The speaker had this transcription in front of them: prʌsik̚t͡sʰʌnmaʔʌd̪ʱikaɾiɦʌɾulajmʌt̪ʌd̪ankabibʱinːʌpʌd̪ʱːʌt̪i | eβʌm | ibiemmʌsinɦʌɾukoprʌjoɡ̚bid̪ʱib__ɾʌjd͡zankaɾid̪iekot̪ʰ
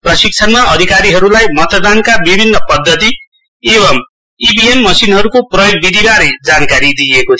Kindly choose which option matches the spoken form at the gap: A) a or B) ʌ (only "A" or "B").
A